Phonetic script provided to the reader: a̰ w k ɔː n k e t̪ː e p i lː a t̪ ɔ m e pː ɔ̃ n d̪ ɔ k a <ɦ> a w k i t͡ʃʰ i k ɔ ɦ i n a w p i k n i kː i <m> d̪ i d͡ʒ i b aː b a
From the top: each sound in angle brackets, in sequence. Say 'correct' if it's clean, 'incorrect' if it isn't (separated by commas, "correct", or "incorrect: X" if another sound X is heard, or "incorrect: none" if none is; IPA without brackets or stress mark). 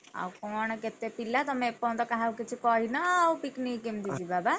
correct, correct